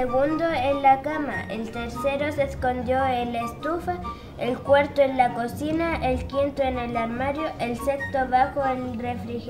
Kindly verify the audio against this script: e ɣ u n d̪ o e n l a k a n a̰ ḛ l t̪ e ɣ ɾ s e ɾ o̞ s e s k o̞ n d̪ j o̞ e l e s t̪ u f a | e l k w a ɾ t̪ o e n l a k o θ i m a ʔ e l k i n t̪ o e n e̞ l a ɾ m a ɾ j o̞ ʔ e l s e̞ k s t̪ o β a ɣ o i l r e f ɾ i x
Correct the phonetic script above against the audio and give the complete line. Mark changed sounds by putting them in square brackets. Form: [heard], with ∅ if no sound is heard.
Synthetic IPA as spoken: e ɣ u n d̪ o e n l a k a [m] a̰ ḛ l t̪ e [∅] ɾ s e ɾ o̞ s e s k o̞ n d̪ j o̞ e l e s t̪ u f a | e l k w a ɾ t̪ o e n l a k o [s] i [n] a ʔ e l k i n t̪ o e n e̞ l a ɾ m a ɾ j o̞ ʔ e l s e̞ k s t̪ o β a [x] o [e] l r e f ɾ i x